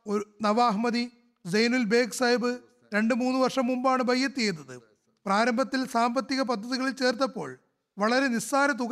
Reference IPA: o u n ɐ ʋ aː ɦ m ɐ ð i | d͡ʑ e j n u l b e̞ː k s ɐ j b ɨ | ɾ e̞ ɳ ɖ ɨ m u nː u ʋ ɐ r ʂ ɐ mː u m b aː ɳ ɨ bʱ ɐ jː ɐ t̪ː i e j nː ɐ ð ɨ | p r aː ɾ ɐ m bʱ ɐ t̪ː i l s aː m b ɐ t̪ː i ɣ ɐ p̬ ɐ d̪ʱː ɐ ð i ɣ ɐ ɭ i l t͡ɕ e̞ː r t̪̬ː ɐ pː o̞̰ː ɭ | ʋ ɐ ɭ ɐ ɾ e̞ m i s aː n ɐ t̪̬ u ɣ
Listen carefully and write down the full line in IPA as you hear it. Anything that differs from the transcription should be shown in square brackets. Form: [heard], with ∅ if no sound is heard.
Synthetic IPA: o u n ɐ ʋ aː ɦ m ɐ ð i | d͡ʑ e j n u l b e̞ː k s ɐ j b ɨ | ɾ e̞ ɳ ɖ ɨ m [uː] nː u ʋ ɐ r ʂ ɐ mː u m b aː ɳ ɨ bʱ ɐ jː ɐ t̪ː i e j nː ɐ ð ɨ | p r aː ɾ ɐ m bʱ ɐ t̪ː i l s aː m b ɐ t̪ː i ɣ ɐ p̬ ɐ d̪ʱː ɐ ð i ɣ ɐ ɭ i l t͡ɕ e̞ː r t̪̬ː ɐ pː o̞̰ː ɭ | ʋ ɐ ɭ ɐ ɾ e̞ [n] i s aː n ɐ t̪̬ u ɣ